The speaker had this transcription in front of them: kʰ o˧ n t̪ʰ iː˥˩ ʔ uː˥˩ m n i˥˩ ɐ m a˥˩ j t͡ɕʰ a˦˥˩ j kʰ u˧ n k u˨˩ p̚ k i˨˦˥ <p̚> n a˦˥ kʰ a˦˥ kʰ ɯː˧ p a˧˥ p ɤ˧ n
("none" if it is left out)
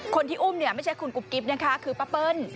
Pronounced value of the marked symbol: p̚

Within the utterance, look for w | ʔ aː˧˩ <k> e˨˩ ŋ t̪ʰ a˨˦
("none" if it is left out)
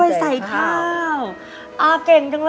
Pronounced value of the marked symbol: k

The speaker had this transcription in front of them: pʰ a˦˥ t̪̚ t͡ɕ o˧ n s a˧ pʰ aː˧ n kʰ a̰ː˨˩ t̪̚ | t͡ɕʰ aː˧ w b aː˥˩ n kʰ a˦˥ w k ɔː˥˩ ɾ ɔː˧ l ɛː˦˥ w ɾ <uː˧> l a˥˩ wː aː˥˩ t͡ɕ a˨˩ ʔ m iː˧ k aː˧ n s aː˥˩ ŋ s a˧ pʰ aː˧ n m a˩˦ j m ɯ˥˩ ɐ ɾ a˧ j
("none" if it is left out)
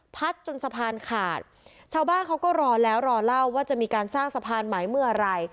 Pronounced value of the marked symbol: ɔː˧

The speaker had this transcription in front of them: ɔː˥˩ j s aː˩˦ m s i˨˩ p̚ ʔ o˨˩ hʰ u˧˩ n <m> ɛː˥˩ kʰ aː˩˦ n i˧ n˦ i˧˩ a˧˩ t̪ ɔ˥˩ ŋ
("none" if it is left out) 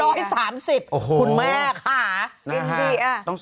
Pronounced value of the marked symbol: m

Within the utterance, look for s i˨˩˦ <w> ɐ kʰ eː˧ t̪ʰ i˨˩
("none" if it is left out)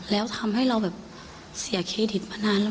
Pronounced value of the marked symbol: none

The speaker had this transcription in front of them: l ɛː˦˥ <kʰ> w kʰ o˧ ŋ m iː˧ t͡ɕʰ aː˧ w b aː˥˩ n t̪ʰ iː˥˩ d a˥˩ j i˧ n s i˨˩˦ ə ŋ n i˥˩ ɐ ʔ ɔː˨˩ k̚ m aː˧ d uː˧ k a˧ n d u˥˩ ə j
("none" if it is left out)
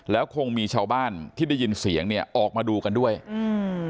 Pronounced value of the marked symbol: none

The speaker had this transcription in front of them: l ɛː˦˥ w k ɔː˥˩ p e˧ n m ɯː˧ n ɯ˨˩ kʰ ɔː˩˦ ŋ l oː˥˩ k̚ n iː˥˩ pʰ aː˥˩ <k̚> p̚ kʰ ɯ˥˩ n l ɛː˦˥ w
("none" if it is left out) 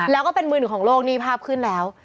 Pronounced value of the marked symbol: none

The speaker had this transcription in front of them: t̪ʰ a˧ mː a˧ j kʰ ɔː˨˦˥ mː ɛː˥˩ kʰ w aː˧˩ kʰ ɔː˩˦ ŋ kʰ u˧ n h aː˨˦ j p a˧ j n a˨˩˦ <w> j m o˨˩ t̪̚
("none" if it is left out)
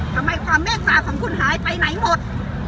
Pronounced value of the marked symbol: none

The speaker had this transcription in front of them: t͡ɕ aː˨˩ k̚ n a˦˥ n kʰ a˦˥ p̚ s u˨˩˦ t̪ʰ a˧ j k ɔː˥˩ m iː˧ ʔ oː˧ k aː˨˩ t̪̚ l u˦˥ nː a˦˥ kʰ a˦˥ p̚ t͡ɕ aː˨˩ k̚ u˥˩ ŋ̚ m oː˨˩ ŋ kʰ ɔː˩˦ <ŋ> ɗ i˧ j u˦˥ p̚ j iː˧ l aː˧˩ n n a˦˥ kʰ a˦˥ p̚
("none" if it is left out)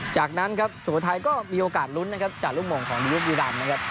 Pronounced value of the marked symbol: ŋ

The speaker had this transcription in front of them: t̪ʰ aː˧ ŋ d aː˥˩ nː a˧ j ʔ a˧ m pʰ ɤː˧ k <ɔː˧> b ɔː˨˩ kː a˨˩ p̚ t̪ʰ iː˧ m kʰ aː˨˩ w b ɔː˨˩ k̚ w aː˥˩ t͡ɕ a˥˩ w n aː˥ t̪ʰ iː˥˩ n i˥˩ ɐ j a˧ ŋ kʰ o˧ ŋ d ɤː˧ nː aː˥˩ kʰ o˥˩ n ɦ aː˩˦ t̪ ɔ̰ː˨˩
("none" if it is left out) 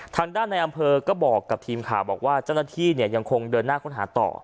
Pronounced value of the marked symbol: ɔː˥˩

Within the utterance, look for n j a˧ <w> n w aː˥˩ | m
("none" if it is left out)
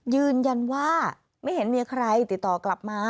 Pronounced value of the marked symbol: none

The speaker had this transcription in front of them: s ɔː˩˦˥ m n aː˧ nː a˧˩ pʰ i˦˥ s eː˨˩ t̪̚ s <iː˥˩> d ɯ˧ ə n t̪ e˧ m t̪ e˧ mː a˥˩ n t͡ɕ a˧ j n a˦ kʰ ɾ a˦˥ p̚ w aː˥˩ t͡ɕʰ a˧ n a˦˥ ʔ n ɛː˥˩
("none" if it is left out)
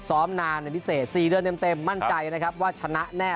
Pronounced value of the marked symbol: iː˨˩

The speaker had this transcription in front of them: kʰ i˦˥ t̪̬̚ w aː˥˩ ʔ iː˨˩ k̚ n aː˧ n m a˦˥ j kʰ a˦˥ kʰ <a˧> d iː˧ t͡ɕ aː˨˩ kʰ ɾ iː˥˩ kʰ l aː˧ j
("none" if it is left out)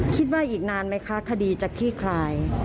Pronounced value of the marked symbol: a˧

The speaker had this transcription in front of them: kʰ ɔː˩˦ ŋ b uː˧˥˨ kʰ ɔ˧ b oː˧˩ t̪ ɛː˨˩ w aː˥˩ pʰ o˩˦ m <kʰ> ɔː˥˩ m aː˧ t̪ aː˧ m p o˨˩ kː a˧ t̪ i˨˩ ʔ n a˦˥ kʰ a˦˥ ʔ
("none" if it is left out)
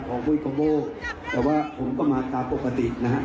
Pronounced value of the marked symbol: k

